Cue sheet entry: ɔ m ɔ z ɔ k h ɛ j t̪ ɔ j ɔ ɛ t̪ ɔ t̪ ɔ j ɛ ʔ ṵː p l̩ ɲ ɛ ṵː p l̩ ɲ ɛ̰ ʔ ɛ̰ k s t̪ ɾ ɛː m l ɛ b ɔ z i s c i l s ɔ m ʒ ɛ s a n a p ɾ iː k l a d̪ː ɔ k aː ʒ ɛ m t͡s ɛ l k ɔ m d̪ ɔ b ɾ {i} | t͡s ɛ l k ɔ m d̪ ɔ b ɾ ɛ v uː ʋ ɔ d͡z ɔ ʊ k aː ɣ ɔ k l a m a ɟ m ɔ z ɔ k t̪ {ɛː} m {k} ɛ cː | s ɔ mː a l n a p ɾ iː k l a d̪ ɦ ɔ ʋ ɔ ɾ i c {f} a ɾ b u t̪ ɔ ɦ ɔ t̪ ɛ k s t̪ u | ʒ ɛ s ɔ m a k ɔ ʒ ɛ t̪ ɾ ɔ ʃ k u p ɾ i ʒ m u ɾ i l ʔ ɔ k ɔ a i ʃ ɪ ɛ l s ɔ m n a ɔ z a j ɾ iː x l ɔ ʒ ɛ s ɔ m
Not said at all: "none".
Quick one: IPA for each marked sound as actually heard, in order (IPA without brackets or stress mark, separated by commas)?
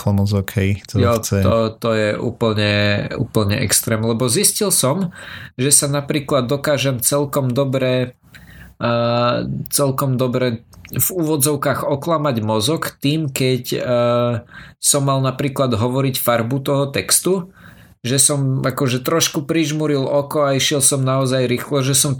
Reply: ɛ, iː, k, f